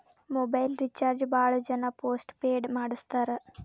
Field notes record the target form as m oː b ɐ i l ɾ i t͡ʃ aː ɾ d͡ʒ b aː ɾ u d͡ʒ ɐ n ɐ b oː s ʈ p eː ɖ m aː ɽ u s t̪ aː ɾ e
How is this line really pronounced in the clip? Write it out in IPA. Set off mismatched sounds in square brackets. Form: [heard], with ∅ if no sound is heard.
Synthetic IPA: m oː b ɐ [j] l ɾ i t͡ʃ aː ɾ d͡ʒ b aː [ɭ] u d͡ʒ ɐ n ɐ [p] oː s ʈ p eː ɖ m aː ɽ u s t̪ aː ɾ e